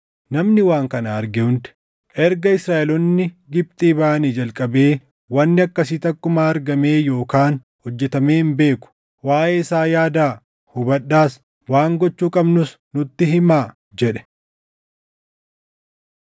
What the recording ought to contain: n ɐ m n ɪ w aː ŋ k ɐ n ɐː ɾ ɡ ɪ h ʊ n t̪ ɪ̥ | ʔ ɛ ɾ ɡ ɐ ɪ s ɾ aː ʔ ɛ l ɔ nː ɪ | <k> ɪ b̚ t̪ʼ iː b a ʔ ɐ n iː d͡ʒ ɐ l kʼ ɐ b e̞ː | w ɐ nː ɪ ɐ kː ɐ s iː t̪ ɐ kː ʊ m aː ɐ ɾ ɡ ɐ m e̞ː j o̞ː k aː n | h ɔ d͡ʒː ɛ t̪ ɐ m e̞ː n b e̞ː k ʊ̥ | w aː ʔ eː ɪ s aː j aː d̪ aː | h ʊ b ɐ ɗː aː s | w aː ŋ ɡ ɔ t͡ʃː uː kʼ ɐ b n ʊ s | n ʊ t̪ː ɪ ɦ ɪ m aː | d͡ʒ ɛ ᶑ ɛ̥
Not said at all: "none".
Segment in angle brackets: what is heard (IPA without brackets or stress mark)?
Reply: ɡ